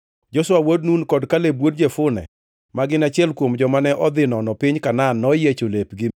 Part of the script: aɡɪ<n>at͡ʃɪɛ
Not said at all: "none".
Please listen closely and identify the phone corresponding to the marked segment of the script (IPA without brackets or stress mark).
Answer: n